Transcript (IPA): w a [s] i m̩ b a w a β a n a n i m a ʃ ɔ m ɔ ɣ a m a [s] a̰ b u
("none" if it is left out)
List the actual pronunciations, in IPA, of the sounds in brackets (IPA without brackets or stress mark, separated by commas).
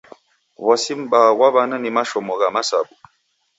s, s